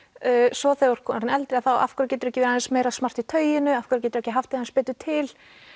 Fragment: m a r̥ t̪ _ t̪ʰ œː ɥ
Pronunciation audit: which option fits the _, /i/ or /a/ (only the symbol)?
i